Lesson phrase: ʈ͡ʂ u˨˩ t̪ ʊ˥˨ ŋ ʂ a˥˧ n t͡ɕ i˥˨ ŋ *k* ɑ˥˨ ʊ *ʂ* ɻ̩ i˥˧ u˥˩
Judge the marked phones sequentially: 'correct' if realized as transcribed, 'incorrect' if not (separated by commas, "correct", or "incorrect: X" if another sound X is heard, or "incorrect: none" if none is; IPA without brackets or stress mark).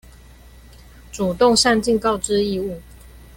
correct, incorrect: ʈ͡ʂ